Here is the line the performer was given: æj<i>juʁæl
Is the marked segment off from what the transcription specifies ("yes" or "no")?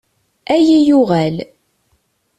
no